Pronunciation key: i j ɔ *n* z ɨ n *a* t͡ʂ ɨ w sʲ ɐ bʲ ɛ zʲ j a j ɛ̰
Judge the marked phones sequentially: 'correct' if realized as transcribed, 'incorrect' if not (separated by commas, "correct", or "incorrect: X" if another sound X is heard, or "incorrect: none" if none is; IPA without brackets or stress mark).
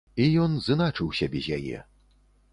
correct, correct